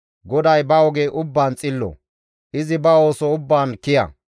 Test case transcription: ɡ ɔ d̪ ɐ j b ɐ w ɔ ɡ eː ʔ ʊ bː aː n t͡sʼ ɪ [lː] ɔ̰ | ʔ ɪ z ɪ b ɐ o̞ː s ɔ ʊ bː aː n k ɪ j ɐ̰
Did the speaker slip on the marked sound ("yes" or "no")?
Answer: no